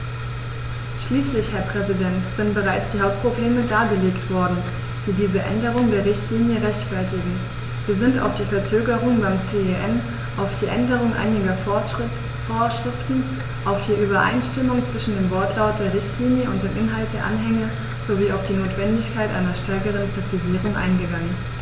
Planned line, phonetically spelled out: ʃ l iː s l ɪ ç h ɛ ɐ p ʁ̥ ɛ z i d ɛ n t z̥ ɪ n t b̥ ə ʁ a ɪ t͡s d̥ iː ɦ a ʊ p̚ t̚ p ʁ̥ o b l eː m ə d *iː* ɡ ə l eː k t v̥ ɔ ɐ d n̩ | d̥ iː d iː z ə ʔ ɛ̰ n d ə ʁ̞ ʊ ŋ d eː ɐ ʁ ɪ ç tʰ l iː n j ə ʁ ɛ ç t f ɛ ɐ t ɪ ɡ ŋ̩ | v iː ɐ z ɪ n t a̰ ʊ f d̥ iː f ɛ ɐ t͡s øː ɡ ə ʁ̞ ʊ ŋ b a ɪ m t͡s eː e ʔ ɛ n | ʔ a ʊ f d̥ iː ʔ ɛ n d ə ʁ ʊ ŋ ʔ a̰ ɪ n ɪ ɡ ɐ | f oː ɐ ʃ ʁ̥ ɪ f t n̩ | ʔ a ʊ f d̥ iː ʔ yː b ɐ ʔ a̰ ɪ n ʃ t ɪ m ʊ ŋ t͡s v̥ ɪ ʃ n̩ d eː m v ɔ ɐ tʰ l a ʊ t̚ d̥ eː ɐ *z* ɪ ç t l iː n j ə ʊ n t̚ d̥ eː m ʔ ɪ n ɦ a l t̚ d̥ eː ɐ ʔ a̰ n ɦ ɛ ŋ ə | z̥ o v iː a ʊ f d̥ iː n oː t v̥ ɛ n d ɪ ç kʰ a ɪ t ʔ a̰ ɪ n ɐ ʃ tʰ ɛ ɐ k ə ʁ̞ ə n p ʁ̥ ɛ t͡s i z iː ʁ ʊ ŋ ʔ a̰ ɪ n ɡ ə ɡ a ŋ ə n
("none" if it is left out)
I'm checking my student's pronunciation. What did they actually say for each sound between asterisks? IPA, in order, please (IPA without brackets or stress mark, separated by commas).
aː, ʁ